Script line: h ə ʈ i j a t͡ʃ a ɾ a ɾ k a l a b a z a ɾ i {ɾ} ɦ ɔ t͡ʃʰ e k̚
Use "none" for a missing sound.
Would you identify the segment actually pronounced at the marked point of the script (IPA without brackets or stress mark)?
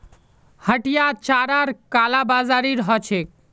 ɾ